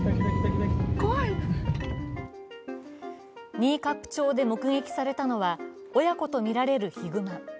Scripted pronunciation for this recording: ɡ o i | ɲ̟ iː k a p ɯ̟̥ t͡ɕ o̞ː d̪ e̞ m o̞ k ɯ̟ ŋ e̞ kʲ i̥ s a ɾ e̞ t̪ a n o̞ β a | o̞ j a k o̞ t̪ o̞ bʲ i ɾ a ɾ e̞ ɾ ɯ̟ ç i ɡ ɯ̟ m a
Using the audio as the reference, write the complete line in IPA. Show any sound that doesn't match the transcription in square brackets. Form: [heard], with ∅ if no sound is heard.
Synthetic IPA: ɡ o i | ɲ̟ iː k a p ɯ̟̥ t͡ɕ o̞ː d̪ e̞ m o̞ k ɯ̟ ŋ e̞ kʲ i̥ s a ɾ e̞ t̪ a n o̞ β a | o̞ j a k o̞ t̪ o̞ [mʲ] i ɾ a ɾ e̞ ɾ ɯ̟ ç i ɡ ɯ̟ m a